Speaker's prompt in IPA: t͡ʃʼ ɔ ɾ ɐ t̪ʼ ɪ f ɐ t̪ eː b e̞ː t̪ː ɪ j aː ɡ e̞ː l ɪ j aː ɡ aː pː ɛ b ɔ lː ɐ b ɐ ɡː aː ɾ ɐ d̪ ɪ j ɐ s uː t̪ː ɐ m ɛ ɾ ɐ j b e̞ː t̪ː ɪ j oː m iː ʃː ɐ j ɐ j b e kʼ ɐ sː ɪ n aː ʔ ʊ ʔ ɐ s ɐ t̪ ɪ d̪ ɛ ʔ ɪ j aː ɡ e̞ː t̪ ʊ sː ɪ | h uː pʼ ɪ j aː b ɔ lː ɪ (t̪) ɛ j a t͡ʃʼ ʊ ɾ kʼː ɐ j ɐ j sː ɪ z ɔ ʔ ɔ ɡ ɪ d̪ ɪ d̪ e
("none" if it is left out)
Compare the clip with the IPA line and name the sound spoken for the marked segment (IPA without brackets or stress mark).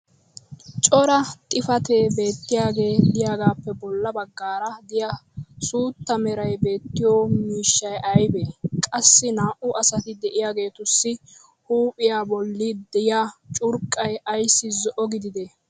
d̪